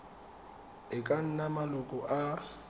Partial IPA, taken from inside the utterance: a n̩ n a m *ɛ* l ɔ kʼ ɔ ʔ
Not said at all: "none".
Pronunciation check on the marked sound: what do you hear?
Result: a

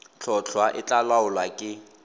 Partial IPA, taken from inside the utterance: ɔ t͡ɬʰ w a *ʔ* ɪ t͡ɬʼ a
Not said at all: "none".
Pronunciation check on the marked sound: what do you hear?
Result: ʔ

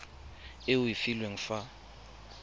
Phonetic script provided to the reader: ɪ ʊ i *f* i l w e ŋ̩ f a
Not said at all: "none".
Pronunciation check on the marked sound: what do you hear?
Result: f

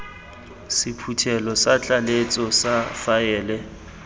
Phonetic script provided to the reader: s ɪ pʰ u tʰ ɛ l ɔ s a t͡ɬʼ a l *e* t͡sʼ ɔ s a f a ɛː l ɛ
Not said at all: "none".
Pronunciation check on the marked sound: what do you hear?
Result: e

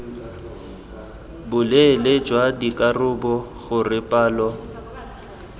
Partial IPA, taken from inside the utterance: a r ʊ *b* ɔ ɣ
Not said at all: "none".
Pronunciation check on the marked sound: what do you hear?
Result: b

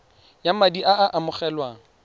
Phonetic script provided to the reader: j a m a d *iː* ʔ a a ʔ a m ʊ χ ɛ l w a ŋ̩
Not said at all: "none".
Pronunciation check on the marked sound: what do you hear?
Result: i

